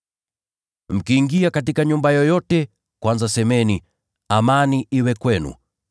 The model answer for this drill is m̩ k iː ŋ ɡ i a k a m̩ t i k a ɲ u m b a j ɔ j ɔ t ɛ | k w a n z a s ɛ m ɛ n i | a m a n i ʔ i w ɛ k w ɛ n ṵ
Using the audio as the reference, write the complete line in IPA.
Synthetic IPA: m̩ k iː ŋ ɡ i a k a t i k a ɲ u m b a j ɔ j ɔ t ɛ | k w a n z a s ɛ m ɛ n i | a m a n i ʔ i w ɛ k w ɛ n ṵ